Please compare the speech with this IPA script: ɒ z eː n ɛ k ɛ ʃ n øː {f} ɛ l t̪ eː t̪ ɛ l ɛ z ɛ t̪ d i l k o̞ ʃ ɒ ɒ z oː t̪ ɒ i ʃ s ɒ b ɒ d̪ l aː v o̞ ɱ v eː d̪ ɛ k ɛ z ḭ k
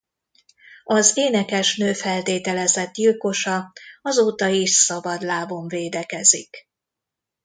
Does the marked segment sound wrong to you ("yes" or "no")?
no